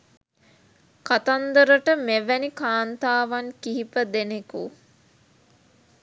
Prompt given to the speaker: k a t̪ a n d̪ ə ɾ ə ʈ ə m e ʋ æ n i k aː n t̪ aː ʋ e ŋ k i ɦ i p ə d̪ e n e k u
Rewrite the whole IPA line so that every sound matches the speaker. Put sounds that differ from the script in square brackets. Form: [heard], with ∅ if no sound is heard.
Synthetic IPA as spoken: k a t̪ a n d̪ ə ɾ ə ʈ ə m e ʋ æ n i k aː n t̪ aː ʋ [a] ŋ k i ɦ i p ə d̪ e n e k u